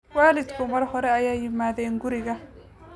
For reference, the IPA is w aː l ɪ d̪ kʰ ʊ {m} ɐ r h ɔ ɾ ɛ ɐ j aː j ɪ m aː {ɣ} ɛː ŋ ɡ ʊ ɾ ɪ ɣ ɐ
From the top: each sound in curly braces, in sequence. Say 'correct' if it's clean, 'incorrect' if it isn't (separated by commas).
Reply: correct, incorrect